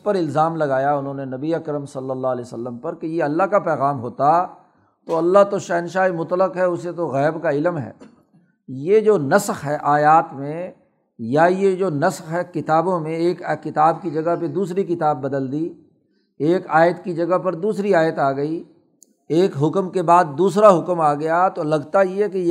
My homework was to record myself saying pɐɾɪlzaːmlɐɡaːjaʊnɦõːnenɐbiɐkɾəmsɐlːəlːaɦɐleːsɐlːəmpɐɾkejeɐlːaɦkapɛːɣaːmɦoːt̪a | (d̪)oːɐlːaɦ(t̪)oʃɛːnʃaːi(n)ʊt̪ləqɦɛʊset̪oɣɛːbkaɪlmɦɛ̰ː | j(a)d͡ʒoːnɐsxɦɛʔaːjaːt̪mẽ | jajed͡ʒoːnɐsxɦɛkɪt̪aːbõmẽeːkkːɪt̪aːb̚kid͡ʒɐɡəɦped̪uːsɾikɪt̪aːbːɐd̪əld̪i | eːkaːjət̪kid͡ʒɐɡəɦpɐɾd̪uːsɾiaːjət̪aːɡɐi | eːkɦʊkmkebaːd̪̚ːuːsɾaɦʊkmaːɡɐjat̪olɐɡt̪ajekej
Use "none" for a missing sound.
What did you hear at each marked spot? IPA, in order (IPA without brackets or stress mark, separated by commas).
t̪, t̪, m, e